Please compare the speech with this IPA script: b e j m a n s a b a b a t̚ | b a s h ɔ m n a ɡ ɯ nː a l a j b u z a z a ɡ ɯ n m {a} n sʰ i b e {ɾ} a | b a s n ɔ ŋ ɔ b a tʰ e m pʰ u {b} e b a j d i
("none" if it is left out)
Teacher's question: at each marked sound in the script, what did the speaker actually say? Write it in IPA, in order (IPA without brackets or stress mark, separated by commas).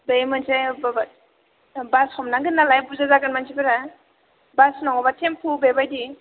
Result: a, ɾ, b